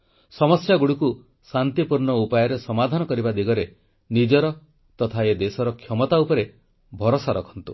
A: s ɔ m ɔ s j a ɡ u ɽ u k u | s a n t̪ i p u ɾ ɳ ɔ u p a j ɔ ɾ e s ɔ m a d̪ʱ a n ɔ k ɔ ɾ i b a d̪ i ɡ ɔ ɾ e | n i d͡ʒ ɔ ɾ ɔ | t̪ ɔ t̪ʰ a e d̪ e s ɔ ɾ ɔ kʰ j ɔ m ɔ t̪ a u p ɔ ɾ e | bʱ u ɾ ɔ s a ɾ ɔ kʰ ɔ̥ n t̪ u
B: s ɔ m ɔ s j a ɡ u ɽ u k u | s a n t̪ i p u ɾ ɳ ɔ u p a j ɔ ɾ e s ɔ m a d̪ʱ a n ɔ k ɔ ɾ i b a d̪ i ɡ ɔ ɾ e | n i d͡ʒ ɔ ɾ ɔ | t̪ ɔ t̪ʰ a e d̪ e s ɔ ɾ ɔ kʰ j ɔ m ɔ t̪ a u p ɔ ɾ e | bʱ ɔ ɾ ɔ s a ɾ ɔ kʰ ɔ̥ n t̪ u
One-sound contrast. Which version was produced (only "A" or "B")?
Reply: B